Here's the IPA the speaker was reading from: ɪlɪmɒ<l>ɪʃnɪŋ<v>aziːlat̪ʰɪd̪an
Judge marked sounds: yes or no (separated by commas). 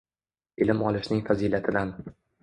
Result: yes, no